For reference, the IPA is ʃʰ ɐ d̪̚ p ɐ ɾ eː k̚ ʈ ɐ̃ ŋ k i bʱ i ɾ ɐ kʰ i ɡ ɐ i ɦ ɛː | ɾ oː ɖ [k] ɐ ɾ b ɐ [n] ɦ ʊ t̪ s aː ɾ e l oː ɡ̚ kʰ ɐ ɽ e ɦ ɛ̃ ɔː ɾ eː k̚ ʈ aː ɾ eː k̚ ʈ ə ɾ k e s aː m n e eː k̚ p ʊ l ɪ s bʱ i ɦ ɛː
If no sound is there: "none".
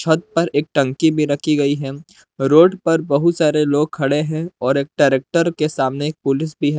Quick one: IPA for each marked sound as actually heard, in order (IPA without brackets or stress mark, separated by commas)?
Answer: p, none